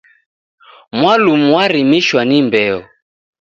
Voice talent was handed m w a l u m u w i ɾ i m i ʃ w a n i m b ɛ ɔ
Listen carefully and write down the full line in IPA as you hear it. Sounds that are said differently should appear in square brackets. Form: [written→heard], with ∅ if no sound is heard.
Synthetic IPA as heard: m w a l u m u w [i→a] ɾ i m i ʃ w a n i m b ɛ ɔ